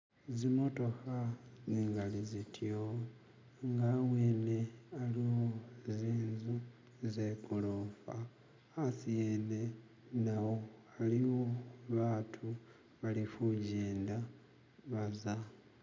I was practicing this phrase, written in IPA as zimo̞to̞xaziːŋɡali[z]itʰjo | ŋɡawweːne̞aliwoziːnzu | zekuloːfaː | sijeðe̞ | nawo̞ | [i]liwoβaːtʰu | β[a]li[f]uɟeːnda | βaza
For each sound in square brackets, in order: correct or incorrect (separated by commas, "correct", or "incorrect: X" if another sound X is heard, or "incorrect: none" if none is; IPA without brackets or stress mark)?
correct, incorrect: a, correct, correct